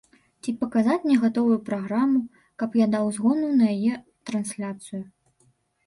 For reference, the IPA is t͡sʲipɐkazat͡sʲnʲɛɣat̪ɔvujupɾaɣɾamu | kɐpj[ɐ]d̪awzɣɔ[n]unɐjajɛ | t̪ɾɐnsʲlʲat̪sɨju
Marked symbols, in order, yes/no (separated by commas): no, yes